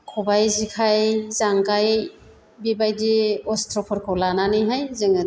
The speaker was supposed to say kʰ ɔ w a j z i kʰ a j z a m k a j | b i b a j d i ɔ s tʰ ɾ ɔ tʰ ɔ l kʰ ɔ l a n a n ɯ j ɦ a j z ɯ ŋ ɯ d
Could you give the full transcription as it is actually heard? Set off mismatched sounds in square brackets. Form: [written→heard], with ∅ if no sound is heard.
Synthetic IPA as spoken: kʰ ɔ [w→b] a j z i kʰ a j z a [m→ŋ] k a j | b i b a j d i ɔ s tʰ ɾ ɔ [tʰ→pʰ] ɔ [l→ɾ] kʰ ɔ l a n a n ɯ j ɦ a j z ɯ ŋ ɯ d